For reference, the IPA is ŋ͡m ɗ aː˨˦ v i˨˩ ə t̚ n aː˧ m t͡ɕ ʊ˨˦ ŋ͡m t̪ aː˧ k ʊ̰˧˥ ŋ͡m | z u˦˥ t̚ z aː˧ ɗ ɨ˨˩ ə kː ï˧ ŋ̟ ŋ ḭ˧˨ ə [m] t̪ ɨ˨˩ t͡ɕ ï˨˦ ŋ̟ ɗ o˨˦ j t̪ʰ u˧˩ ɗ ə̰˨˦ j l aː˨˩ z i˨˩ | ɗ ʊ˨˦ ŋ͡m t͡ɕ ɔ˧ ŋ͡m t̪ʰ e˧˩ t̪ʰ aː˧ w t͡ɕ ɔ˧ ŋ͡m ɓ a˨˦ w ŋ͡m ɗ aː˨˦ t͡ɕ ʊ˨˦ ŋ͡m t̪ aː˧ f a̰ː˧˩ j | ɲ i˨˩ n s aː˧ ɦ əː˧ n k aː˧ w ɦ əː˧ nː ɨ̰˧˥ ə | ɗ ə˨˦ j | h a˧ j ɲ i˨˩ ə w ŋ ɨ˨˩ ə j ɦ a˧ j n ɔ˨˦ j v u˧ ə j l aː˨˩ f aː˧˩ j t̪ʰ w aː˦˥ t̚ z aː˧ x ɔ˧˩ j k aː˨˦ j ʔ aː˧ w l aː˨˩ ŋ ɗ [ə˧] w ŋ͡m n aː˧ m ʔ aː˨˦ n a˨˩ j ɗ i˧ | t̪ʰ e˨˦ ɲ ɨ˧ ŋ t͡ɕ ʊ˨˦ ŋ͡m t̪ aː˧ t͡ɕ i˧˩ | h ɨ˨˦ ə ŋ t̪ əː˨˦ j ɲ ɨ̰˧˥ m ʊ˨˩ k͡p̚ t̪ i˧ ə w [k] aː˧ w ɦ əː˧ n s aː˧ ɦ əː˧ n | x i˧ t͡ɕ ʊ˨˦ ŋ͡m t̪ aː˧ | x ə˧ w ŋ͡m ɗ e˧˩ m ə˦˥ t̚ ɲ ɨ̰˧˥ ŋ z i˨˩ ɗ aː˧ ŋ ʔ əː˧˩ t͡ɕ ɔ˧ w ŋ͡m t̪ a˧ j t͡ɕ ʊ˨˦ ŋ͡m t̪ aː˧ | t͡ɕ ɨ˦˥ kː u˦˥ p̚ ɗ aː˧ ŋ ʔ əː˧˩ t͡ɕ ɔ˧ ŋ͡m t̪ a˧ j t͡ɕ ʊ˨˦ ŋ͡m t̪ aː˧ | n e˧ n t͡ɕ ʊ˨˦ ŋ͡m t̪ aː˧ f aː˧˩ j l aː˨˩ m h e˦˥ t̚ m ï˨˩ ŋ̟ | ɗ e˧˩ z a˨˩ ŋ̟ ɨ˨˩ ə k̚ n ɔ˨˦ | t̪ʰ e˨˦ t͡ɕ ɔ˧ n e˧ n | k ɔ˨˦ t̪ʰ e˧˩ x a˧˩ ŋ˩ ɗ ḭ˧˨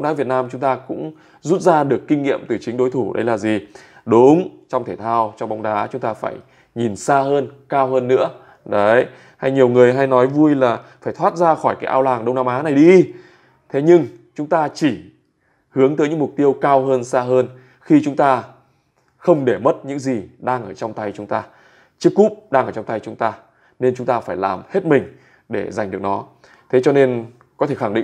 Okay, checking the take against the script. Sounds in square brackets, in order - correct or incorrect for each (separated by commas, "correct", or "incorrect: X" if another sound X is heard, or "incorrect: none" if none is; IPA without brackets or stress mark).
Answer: correct, correct, correct